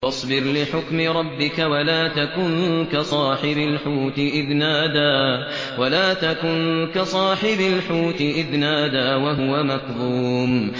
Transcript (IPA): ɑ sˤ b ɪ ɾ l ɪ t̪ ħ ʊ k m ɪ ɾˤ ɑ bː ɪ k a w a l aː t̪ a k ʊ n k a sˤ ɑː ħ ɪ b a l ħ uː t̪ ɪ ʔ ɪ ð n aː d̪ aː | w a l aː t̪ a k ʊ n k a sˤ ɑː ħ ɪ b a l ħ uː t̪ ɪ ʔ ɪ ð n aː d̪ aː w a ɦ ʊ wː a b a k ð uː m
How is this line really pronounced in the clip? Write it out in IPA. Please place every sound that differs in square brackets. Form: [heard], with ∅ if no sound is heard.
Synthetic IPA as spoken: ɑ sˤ b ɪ ɾ l ɪ [∅] ħ ʊ k m ɪ ɾˤ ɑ bː ɪ k a w a l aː t̪ a k ʊ n k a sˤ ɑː ħ ɪ b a l ħ uː t̪ ɪ ʔ ɪ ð n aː d̪ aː | w a l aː t̪ a k ʊ n k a sˤ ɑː ħ ɪ b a l ħ uː t̪ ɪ ʔ ɪ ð n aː d̪ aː w a ɦ ʊ [w] a [m] a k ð uː m